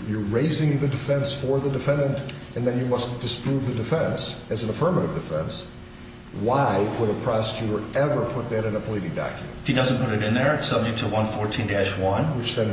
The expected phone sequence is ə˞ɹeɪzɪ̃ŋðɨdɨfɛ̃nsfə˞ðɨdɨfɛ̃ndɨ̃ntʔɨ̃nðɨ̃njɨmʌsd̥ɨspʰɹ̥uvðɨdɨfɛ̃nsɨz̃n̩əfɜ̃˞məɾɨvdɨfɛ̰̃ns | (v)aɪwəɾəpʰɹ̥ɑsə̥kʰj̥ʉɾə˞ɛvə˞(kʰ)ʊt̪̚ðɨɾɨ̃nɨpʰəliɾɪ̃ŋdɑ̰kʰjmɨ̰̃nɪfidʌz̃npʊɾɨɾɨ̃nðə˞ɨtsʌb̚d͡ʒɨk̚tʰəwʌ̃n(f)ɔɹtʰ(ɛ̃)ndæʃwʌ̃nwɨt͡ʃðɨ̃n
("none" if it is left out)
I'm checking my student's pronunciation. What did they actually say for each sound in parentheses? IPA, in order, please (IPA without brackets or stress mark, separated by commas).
w, pʰ, f, ĩ